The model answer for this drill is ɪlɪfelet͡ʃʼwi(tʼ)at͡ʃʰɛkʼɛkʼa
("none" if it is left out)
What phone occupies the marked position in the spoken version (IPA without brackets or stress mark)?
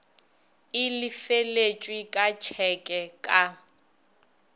kʼ